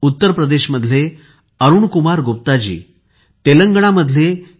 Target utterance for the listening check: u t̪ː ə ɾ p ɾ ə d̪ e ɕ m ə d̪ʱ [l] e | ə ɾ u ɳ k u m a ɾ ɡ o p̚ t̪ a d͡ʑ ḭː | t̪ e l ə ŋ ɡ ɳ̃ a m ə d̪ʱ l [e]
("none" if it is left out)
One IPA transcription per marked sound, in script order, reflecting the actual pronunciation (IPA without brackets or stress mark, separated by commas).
l, e